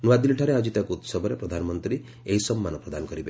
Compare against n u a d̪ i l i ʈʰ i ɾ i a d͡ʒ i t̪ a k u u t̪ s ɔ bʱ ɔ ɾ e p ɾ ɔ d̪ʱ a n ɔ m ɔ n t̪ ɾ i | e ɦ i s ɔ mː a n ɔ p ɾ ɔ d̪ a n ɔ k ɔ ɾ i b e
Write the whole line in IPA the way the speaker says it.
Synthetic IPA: n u a d̪ i l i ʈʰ a ɾ e a d͡ʒ i t̪ a k u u t̪ s ɔ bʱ ɔ ɾ e p ɾ ɔ d̪ʱ a n ɔ m ɔ n t̪ ɾ i | e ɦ i s ɔ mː a n ɔ p ɾ ɔ d̪ a n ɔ k ɔ ɾ i b e